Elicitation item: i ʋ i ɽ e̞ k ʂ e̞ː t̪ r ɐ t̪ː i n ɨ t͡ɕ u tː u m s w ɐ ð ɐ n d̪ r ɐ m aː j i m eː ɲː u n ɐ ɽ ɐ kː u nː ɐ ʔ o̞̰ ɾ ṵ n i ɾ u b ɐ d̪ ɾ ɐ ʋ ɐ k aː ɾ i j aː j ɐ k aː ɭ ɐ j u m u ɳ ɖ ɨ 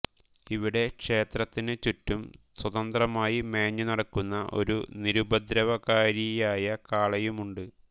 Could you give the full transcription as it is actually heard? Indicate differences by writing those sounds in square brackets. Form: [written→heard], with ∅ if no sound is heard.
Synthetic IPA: i ʋ i ɽ e̞ k ʂ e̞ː t̪ r ɐ t̪ː i n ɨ t͡ɕ u tː u m s w ɐ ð ɐ n d̪ r ɐ m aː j i m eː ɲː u n ɐ ɽ ɐ kː u nː ɐ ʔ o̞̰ ɾ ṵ n i ɾ u b ɐ d̪ ɾ ɐ ʋ ɐ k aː ɾ i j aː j ɐ k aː ɭ ɐ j u m u ɳ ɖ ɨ